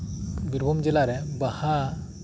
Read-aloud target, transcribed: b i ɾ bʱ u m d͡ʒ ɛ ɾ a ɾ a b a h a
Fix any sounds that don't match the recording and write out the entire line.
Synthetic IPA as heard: b i ɾ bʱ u m d͡ʒ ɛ l a ɾ ɛ b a h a